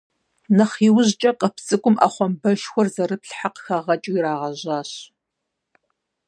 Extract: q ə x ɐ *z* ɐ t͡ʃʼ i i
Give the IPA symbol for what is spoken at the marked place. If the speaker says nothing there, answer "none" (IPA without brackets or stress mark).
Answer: ʁ